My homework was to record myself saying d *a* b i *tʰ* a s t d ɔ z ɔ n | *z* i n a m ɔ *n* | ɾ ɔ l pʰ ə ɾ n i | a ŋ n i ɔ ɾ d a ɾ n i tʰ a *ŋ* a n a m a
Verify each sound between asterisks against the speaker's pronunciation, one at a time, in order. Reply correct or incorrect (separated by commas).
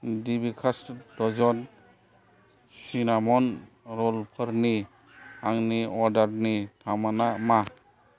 incorrect, incorrect, incorrect, correct, incorrect